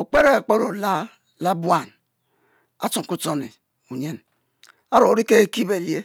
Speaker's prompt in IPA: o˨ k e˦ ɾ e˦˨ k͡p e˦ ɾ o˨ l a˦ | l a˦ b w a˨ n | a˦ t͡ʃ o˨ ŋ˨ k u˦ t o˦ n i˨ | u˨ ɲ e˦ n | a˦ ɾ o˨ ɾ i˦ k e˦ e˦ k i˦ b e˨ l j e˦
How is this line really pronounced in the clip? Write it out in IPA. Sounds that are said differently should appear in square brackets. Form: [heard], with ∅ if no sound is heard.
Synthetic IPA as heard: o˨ [k͡p] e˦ ɾ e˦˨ k͡p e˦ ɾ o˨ l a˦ | l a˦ b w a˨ n | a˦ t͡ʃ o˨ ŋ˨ k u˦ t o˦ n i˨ | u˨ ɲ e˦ n | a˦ ɾ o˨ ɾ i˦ k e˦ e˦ k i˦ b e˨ l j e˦